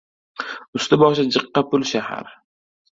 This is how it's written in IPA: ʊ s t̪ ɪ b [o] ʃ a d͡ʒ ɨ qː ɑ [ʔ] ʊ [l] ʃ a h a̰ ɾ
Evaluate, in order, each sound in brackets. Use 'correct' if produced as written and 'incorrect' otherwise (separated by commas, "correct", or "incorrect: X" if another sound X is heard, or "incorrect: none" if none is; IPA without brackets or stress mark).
incorrect: ɒ, incorrect: p, correct